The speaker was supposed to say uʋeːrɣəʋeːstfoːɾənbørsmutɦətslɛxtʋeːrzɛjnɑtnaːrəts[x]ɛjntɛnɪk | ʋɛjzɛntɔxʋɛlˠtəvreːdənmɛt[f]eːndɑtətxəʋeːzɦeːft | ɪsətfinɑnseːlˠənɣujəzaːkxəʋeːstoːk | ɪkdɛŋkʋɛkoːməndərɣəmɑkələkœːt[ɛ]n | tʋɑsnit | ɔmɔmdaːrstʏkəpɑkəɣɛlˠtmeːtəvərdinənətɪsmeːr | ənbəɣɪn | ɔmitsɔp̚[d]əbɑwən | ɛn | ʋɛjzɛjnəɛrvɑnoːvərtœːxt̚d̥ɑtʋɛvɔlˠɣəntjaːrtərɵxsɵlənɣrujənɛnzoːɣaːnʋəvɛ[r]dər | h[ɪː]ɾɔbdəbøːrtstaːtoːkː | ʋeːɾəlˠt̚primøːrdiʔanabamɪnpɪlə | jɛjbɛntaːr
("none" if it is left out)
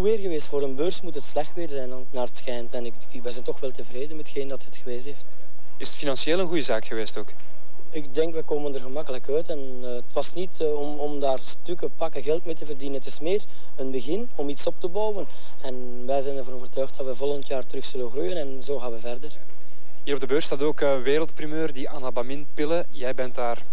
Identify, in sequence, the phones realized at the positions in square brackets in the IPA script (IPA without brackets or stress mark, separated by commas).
x, x, ɛ, t, r, iː